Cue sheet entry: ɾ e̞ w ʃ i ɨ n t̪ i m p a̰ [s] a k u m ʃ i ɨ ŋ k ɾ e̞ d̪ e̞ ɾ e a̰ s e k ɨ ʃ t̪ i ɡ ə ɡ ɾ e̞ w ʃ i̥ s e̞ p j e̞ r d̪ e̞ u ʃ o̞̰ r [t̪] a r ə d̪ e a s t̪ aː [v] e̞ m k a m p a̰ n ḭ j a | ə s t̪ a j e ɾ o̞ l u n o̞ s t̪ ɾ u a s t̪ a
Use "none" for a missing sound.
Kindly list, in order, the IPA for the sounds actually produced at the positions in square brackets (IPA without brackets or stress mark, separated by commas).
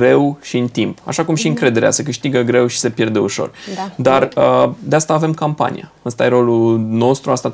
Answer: ʃ, d̪, v